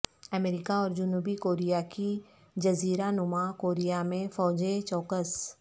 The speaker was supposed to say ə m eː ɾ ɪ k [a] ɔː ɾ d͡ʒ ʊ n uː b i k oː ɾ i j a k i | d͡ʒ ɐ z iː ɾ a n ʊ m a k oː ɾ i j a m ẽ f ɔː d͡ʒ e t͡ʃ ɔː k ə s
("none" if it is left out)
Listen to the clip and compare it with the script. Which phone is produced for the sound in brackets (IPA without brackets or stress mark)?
a